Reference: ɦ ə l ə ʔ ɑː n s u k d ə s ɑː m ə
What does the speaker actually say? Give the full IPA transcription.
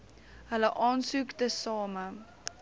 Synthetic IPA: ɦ ə l ə ʔ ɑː n s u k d ə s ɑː m ə